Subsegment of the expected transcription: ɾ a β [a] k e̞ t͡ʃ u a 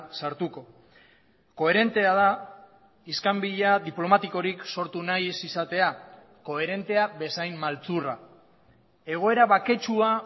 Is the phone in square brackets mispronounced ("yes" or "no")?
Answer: no